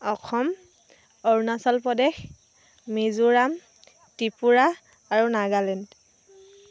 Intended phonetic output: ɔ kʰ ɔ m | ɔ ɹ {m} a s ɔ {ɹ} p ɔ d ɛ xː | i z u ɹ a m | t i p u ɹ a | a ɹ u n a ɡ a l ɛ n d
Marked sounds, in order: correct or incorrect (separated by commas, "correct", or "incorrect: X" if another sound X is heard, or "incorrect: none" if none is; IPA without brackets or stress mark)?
incorrect: n, incorrect: l